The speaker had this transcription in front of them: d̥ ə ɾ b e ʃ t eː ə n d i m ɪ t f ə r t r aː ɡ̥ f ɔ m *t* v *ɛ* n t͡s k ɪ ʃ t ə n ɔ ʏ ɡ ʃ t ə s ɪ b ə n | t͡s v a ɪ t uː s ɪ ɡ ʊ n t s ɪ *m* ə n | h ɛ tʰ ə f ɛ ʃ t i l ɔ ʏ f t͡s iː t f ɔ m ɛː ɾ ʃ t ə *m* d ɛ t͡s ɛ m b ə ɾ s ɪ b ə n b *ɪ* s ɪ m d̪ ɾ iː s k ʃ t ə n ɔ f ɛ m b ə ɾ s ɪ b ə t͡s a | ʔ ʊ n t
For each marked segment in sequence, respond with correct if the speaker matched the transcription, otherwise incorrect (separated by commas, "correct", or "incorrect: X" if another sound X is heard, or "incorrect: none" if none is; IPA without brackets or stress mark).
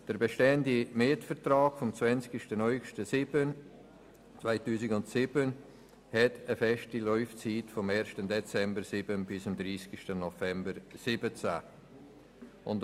incorrect: t͡s, correct, incorrect: b, incorrect: n, correct